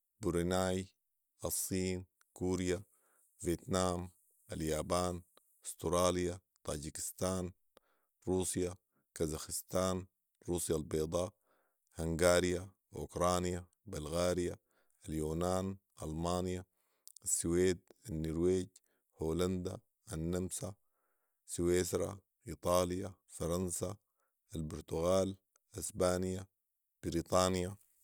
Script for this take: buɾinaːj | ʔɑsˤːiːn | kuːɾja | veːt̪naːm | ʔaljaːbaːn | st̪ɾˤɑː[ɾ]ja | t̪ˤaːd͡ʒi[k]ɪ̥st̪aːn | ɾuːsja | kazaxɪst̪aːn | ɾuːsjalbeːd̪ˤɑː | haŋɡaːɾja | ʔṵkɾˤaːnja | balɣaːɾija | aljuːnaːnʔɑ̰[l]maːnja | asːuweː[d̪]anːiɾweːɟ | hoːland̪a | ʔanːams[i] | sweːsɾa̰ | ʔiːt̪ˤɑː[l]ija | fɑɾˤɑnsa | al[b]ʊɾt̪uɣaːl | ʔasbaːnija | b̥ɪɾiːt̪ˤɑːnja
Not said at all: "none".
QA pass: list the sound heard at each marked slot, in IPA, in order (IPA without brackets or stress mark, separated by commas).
l, k, l, d̪, a, l, b